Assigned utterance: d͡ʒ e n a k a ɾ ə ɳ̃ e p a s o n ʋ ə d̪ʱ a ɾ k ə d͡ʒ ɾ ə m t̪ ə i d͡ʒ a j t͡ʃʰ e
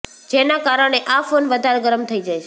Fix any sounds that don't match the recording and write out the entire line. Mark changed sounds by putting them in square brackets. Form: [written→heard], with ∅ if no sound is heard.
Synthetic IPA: d͡ʒ e n a k a ɾ ə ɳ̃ e [p→ʔ] a [s→f] o n ʋ ə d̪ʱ a ɾ [k→ɡ] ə [d͡ʒ→∅] ɾ ə m [t̪→t̪ʰ] ə i d͡ʒ a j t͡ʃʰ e